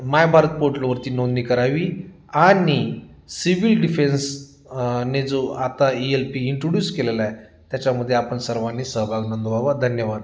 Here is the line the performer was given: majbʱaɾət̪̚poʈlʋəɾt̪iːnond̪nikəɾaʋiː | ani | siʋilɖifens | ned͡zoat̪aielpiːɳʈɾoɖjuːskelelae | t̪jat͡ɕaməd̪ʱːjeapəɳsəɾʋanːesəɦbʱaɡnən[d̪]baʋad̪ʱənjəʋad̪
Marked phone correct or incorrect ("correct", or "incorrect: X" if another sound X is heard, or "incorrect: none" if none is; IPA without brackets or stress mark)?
correct